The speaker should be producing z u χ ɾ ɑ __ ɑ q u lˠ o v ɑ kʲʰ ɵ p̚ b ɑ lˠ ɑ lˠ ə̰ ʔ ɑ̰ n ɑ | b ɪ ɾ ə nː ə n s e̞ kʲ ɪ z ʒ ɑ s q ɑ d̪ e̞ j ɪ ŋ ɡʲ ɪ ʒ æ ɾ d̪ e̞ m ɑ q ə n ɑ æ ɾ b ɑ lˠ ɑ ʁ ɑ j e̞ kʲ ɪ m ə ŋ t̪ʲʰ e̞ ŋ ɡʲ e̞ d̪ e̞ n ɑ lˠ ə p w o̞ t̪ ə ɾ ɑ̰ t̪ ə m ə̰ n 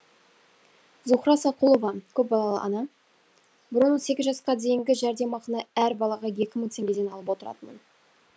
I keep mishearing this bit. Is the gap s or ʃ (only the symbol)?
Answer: s